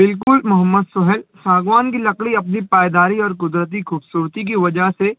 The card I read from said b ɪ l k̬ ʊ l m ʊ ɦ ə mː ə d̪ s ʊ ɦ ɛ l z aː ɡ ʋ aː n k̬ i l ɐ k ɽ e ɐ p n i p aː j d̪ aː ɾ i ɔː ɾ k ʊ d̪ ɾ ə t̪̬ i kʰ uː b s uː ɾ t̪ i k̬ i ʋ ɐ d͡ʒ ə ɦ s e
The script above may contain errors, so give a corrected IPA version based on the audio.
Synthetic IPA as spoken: b ɪ l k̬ ʊ l m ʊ ɦ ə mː ə d̪ s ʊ ɦ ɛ l s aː ɡ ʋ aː n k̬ i l ɐ k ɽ i ɐ p n i p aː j d̪ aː ɾ i ɔː ɾ k ʊ d̪ ɾ ə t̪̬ i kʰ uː b s uː ɾ t̪ i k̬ i ʋ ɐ d͡ʒ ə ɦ s e